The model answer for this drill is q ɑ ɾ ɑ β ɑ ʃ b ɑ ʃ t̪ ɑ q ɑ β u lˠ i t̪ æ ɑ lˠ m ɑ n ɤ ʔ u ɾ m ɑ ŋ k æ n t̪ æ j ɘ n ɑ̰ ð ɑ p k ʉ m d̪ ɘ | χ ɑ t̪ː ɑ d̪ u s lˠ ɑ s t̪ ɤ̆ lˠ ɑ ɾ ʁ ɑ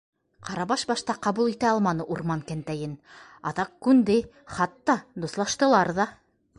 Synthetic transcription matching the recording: q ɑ ɾ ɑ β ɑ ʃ b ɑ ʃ t̪ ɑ q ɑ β u lˠ i t̪ æ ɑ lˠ m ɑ n ɤ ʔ u ɾ m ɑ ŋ k æ n t̪ æ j ɘ n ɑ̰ ð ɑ q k ʉ n d̪ ɘ | χ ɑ t̪ː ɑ d̪ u s lˠ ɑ ʃ t̪ ɤ̆ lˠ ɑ ɾ ð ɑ

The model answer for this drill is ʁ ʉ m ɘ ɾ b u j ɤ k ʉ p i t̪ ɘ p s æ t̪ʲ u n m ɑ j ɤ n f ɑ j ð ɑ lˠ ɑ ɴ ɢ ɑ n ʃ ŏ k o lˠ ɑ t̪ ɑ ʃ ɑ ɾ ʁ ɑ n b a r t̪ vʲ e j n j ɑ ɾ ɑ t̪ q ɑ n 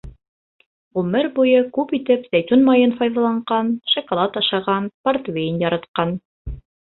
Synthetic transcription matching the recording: ʁ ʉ m ɘ ɾ b u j ɤ k ʉ p i t̪ ɘ p z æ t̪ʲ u n m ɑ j ɤ n f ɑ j ð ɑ lˠ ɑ ɴ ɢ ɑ n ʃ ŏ k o lˠ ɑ t̪ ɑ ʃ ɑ ʁ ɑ n p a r t̪ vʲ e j n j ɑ ɾ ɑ t̪ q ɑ n

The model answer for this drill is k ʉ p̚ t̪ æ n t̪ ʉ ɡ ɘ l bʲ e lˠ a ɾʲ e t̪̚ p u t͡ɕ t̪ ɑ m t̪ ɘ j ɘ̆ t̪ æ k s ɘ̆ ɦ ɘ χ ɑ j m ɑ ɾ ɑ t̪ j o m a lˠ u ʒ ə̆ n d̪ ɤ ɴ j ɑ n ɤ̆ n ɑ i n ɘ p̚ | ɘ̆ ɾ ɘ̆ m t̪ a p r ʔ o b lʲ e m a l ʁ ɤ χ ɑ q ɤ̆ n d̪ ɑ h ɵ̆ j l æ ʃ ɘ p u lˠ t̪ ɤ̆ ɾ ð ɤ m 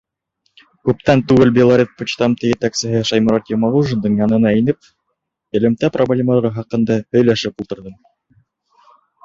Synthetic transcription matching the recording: k ʉ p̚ t̪ æ n t̪ ʉ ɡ ɘ l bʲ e lˠ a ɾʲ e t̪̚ p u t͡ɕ t̪ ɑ m t̪ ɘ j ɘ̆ t̪ æ k s ɘ̆ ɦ ɘ ʃ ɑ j m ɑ ɾ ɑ t̪ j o m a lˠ u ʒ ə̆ n d̪ ɤ ɴ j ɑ n ɤ̆ n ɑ i n ɘ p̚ | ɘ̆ l ɘ̆ m t̪ æ p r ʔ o b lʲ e m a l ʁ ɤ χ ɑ q ɤ̆ n d̪ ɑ h ɵ̆ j l æ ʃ ɘ p u lˠ t̪ ɤ̆ ɾ ð ɤ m

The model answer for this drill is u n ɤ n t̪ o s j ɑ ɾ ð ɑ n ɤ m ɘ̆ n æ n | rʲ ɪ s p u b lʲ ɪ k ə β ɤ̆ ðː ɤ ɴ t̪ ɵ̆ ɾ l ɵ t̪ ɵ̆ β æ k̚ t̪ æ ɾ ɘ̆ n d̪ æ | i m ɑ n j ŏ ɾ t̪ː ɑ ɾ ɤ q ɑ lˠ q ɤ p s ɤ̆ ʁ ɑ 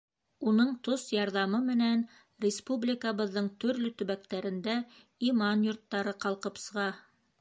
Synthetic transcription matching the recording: u n ɤ ɴ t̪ o s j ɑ ɾ ð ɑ m ɤ m ɘ̆ n æ n | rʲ ɪ s p u b lʲ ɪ k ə β ɤ̆ ðː ɤ ɴ t̪ ɵ̆ ɾ l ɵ t̪ ɵ̆ β æ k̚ t̪ æ ɾ ɘ̆ n d̪ æ | i m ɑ n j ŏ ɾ t̪ː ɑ ɾ ɤ q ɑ lˠ q ɤ p s ɤ̆ ʁ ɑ

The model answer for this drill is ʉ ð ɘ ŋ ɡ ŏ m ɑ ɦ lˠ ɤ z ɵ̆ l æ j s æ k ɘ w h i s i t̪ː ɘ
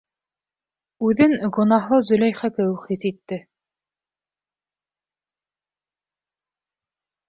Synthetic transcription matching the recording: ʉ ð ɘ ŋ ɡ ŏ n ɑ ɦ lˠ ɤ z ɵ̆ l æ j χ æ k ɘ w χ i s i t̪ː ɘ

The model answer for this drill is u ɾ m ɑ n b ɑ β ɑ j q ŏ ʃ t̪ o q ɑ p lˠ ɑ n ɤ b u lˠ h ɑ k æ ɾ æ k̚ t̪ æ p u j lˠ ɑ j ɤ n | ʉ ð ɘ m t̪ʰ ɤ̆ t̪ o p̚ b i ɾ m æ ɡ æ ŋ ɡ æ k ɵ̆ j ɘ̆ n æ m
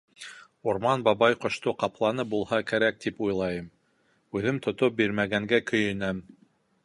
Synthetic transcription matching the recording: u ɾ m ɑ n b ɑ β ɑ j q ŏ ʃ t̪ o q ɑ p lˠ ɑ n ɤ b u lˠ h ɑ k æ ɾ æ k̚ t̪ i p u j lˠ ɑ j ɤ m | ʉ ð ɘ m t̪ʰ ŏ t̪ o p̚ b i ɾ m æ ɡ æ ŋ ɡ æ k ɵ̆ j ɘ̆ n æ m

